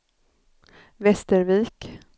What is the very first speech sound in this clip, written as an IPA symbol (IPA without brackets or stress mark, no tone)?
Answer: v